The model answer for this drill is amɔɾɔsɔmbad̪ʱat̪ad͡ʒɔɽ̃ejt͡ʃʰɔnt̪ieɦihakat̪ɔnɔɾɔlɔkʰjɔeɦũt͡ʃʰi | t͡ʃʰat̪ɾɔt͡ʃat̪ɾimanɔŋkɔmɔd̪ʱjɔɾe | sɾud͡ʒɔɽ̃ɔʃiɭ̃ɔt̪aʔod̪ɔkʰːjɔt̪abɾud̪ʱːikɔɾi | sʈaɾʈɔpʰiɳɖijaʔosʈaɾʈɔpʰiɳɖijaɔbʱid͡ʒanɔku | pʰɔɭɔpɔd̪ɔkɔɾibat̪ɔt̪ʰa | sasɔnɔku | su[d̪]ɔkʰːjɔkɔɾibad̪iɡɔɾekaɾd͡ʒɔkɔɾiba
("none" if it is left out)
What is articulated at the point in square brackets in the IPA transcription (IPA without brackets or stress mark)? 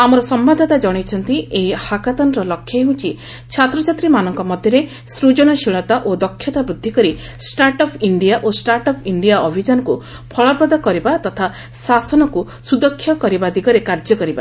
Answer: d̪